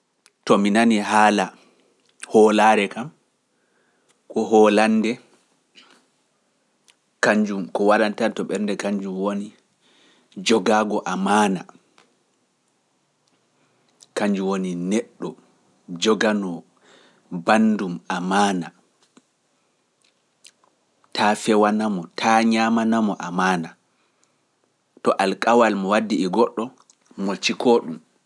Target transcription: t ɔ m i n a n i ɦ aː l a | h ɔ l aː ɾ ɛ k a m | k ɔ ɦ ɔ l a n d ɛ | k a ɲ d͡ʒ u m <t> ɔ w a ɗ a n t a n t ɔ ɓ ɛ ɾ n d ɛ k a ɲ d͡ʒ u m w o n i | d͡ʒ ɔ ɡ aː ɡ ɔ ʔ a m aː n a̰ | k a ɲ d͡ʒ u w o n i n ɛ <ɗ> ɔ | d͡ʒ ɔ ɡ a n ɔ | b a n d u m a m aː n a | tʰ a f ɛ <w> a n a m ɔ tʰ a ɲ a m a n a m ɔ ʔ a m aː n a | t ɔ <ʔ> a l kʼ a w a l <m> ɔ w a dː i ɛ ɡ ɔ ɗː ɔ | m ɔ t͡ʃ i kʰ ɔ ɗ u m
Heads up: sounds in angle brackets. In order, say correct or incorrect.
incorrect, incorrect, correct, correct, correct

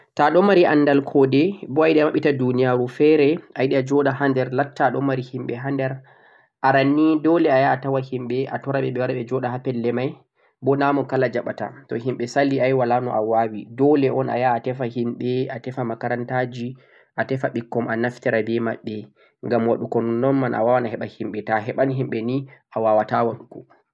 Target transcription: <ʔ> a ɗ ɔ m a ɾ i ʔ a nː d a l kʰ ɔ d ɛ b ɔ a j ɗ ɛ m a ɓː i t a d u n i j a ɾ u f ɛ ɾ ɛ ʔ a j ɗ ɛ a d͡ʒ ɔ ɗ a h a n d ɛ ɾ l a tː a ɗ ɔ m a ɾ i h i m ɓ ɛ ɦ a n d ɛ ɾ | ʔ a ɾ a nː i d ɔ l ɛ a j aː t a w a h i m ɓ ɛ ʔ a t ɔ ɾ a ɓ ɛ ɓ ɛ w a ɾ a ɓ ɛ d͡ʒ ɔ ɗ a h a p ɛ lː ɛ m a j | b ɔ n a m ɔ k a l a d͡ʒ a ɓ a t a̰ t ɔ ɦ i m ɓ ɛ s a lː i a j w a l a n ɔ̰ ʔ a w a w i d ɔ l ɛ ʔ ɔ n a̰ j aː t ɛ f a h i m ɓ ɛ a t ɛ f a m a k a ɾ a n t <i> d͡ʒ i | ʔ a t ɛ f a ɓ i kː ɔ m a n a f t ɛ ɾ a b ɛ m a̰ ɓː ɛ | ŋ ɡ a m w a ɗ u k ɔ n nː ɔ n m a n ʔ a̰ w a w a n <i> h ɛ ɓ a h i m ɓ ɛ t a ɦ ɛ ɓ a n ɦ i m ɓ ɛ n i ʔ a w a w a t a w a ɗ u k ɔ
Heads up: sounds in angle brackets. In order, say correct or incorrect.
incorrect, incorrect, incorrect

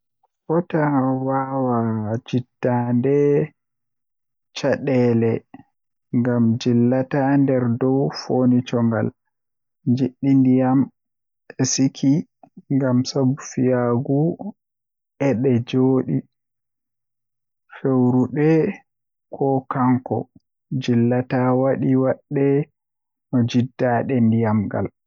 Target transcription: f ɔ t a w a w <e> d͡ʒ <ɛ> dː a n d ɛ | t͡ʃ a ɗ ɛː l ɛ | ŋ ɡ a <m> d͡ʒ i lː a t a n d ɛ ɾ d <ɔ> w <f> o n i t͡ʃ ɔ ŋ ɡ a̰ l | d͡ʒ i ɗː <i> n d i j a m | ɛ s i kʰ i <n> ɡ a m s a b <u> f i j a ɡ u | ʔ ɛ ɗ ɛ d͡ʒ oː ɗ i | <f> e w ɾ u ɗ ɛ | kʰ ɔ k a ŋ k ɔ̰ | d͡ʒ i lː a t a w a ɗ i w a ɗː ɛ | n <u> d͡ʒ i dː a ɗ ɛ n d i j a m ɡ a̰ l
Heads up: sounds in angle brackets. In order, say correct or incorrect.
incorrect, incorrect, correct, correct, correct, correct, incorrect, correct, correct, incorrect

